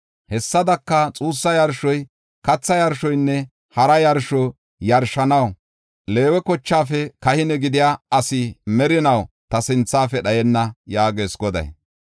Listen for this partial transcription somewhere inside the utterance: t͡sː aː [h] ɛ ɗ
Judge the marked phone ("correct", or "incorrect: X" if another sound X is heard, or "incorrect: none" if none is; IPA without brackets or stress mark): incorrect: f